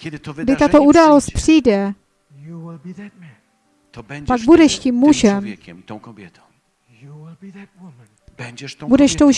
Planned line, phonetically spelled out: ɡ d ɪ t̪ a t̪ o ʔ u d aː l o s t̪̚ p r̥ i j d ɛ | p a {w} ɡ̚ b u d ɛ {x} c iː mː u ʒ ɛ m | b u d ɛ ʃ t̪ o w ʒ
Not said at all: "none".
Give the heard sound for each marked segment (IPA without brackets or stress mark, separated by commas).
none, ʃ